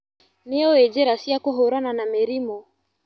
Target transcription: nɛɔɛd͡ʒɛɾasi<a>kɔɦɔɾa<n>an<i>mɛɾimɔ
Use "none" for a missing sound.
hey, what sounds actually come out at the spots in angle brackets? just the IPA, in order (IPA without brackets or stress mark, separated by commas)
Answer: a, n, a